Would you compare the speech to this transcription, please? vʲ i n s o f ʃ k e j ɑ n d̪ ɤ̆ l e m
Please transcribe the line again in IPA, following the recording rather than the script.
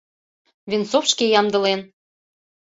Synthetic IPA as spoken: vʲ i n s o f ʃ k e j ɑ m d̪ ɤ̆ l e n

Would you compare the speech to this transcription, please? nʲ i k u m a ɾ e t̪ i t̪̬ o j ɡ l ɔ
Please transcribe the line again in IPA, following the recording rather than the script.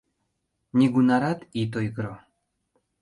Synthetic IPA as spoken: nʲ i ɡ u n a ɾ a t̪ i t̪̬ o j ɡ ɾ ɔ

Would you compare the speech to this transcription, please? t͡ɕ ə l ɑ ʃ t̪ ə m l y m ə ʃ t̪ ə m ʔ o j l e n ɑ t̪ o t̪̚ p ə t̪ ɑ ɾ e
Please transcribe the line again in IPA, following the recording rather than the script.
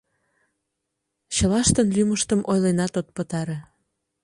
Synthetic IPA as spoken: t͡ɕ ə l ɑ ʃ t̪ ə n l y m ə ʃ t̪ ə m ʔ o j l e n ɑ t̪ o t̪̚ p ə t̪ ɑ ɾ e

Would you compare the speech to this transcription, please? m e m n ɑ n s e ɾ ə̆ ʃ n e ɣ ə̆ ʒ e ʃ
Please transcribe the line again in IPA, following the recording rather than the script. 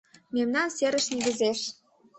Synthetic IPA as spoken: m e m n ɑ n s e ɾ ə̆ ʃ n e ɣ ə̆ z e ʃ

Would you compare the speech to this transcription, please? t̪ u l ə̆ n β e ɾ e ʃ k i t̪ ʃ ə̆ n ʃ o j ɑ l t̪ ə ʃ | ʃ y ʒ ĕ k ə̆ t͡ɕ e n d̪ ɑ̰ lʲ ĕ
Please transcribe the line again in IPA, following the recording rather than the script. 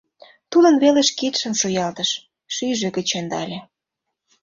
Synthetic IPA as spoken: t̪ u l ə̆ n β e l e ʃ k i t̪ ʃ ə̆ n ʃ o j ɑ l t̪ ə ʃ | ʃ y ʒ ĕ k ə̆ t͡ɕ e n d̪ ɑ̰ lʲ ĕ

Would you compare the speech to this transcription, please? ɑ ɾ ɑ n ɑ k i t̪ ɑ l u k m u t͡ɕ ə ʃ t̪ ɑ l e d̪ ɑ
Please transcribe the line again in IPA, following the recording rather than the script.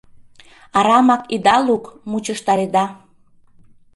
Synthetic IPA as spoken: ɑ ɾ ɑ m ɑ k i d̪ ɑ l u k m u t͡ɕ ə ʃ t̪ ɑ ɾ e d̪ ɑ

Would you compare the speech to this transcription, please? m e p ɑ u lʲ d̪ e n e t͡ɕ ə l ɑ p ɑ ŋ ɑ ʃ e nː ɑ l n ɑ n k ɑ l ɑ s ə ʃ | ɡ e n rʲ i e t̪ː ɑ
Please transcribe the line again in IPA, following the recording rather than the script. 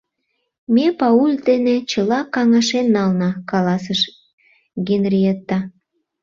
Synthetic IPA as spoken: m e p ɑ u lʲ d̪ e n e t͡ɕ ə l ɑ k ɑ ŋ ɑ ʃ e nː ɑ l n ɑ k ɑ l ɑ s ə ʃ | ɡ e n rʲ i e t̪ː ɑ

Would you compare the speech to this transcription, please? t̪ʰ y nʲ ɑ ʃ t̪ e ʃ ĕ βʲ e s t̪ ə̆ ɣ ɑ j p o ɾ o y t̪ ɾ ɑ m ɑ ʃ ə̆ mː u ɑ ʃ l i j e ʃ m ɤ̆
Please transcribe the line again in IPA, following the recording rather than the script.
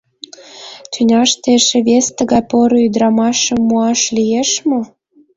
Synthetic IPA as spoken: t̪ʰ y nʲ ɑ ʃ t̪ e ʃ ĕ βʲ e s t̪ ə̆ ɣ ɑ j p o ɾ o y d̪ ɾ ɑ m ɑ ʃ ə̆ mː u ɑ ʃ l i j e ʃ m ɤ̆

